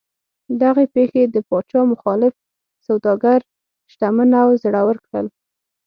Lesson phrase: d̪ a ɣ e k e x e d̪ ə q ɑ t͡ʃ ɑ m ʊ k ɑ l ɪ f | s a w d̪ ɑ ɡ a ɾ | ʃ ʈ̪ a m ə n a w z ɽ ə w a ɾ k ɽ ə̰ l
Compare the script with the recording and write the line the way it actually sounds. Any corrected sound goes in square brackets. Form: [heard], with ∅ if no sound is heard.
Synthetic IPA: d̪ a ɣ e [p] e x e d̪ ə [p] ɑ t͡ʃ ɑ m ʊ [x] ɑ l ɪ f | s a w d̪ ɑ ɡ a ɾ | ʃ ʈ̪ a m ə n a w z ɽ [a] w [ə] ɾ k ɽ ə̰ l